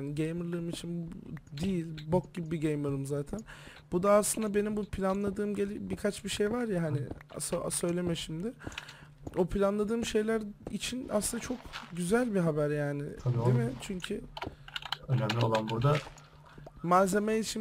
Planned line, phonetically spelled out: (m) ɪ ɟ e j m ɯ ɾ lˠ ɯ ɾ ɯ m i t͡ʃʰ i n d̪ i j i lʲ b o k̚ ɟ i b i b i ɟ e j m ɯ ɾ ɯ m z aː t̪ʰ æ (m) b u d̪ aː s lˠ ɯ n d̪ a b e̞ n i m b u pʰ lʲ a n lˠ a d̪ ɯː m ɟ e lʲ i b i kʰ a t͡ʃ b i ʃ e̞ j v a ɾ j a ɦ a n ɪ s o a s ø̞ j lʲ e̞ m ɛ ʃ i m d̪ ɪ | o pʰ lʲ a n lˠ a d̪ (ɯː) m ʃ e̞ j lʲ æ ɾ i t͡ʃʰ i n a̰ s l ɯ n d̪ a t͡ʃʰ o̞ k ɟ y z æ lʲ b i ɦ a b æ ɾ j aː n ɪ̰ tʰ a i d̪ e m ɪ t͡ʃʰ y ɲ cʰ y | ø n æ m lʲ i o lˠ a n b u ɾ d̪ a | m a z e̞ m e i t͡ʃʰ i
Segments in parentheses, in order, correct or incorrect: incorrect: n, incorrect: n, correct

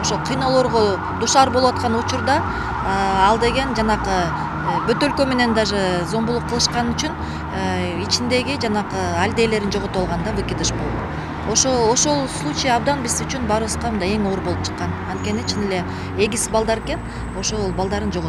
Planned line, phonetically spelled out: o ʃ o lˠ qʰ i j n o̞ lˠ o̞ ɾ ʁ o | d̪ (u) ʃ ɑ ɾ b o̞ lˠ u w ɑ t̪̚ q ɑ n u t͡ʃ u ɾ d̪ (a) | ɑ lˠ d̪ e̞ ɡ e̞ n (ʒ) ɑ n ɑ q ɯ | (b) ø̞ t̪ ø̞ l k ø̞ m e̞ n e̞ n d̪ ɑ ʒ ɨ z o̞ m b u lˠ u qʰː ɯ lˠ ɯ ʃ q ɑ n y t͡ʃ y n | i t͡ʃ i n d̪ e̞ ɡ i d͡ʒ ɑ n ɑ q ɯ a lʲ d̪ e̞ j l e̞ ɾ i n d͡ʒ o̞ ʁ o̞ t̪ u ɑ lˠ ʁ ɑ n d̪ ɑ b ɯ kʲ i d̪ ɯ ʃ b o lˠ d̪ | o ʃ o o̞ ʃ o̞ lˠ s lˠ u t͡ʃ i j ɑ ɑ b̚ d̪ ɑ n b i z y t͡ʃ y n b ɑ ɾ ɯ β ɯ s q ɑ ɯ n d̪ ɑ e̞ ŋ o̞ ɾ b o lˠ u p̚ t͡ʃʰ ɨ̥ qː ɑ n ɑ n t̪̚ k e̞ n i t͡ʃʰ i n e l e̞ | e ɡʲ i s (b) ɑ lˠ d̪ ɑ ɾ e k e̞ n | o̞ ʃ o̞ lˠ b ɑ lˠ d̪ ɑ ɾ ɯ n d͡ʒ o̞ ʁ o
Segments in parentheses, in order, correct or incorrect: correct, incorrect: ɑ, incorrect: d͡ʒ, correct, correct

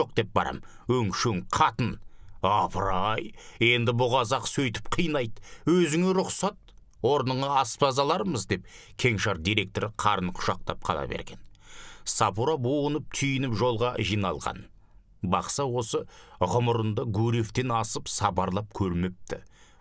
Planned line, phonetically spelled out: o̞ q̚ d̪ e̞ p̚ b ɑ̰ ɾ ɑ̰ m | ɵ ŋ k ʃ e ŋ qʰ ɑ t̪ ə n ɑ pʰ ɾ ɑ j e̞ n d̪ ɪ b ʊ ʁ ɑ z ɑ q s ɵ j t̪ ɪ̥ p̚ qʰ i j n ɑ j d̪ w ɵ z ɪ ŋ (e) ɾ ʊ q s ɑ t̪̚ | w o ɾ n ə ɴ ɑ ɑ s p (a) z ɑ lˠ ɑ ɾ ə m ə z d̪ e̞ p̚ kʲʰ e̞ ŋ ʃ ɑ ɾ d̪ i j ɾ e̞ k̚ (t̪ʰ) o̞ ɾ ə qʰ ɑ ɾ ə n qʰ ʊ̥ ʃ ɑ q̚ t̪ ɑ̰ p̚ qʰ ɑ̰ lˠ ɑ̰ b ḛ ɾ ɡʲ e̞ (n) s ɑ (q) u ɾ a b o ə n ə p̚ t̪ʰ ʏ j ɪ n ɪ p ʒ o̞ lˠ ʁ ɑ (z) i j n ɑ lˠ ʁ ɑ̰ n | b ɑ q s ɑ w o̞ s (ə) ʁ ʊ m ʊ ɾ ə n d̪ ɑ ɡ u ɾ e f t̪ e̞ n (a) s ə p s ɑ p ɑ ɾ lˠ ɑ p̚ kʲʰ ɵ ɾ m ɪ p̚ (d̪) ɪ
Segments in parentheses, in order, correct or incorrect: correct, incorrect: ɑ, incorrect: t̪, correct, incorrect: p, incorrect: ʒ, correct, incorrect: ɑ, incorrect: t̪

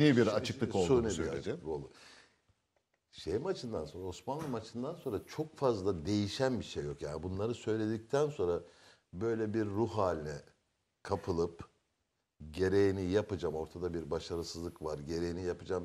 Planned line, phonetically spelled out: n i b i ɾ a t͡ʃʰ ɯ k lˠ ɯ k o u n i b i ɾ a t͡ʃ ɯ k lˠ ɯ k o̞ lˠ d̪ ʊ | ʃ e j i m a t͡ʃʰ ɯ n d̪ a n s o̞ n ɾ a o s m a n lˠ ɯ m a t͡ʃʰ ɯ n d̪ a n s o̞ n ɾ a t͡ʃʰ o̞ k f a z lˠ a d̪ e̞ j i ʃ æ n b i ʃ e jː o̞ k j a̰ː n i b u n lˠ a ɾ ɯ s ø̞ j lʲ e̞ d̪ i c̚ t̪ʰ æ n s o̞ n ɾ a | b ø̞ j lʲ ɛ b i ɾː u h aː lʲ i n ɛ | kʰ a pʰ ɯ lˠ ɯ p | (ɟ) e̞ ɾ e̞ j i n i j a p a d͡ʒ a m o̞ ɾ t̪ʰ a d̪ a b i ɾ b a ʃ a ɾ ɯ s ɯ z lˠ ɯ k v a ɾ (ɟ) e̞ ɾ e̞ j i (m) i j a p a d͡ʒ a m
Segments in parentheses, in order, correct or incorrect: correct, correct, incorrect: n

